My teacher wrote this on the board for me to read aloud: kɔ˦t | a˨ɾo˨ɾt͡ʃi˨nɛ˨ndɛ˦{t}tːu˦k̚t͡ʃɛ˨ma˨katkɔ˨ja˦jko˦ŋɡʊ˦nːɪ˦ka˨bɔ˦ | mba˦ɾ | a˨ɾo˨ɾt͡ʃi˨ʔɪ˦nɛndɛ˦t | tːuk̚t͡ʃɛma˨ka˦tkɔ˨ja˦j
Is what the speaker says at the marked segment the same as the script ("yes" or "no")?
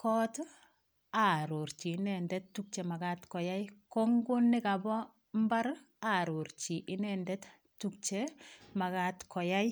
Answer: yes